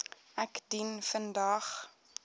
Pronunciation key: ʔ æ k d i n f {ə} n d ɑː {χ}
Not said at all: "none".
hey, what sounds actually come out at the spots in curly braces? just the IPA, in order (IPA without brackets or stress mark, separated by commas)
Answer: ə, χ